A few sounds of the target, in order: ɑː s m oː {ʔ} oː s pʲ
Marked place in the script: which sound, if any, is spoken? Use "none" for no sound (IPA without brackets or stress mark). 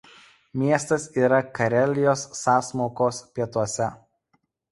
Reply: k